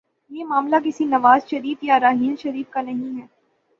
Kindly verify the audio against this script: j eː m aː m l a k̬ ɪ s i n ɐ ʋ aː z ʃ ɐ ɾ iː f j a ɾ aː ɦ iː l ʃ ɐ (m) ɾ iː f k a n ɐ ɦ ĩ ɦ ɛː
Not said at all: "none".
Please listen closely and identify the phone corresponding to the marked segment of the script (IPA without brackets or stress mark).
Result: none